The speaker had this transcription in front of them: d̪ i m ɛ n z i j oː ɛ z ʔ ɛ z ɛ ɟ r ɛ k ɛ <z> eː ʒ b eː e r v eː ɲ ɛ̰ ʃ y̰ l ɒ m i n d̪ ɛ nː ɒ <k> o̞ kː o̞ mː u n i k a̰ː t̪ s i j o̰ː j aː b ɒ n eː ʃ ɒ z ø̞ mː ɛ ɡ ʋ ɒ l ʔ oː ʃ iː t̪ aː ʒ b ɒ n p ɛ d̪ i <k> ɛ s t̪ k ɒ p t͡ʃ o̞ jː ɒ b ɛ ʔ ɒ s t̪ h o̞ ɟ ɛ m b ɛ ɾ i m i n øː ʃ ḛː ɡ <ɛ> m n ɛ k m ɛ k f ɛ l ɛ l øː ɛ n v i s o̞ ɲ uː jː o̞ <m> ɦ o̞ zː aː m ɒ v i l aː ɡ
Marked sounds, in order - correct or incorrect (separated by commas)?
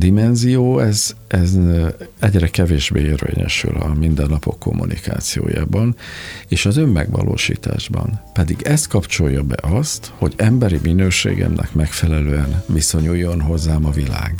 incorrect, incorrect, incorrect, correct, incorrect